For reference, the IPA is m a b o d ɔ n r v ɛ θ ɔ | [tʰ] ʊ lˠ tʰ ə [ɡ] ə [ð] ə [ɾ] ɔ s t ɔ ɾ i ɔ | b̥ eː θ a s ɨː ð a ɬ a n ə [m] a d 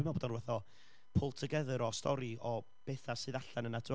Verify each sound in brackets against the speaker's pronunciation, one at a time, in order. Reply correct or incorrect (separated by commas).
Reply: incorrect, correct, correct, correct, incorrect